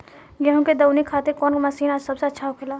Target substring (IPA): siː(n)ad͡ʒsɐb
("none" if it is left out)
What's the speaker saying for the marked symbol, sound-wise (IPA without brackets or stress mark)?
n